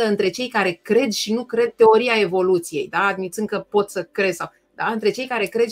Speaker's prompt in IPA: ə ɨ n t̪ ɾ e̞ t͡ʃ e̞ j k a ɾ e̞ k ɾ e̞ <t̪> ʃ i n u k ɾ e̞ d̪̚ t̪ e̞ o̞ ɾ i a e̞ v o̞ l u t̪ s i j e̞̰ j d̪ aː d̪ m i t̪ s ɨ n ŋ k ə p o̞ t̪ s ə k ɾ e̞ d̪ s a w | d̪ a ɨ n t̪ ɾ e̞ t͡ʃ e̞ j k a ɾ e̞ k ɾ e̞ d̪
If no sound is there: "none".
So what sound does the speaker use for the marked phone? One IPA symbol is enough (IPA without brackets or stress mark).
d̪